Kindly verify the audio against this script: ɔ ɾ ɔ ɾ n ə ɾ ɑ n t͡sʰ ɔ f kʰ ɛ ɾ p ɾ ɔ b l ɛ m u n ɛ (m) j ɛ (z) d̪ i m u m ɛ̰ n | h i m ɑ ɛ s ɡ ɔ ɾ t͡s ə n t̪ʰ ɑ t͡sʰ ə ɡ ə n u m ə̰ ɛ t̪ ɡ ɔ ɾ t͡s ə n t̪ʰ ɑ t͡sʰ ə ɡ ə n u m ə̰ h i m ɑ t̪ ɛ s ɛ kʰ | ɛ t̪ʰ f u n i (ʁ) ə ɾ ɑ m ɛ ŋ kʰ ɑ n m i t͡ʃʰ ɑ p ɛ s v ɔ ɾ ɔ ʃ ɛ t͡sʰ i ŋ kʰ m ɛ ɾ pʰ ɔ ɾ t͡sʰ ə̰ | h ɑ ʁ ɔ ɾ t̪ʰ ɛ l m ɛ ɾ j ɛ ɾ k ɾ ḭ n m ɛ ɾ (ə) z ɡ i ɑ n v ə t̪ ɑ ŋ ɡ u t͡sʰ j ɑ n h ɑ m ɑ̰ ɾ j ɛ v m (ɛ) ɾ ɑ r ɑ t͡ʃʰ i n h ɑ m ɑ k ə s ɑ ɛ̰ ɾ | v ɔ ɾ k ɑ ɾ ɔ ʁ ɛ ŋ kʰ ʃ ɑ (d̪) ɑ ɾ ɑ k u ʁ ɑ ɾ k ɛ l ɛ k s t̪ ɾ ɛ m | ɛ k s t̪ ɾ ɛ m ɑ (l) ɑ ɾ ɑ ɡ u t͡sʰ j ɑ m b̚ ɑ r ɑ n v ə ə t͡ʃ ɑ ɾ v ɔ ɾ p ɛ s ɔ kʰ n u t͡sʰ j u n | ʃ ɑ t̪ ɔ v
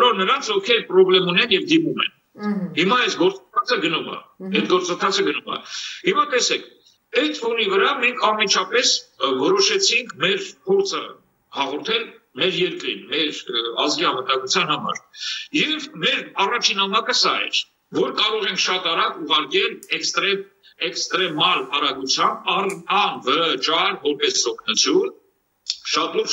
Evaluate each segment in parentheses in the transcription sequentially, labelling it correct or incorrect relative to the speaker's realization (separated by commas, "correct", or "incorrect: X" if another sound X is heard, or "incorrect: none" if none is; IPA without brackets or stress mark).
incorrect: n, incorrect: v, incorrect: v, incorrect: ɑ, correct, incorrect: t̪, correct